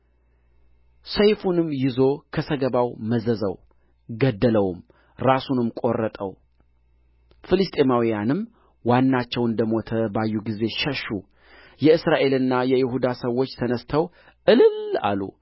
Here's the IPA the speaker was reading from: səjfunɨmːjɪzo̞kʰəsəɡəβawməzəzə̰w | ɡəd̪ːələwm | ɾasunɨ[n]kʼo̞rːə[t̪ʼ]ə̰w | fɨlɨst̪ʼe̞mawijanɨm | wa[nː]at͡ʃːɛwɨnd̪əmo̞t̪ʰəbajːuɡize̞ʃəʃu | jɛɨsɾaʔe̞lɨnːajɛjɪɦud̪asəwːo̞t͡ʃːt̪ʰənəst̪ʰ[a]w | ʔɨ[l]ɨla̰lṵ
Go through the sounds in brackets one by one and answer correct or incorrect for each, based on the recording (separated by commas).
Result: incorrect, correct, correct, incorrect, correct